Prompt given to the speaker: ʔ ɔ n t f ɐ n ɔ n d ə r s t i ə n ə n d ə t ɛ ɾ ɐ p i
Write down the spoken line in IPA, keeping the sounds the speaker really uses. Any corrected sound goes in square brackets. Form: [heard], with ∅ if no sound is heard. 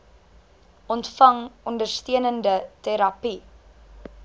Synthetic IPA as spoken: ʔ ɔ n t f ɐ [ŋ] ɔ n d ə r s t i ə n ə n d ə t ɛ ɾ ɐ p i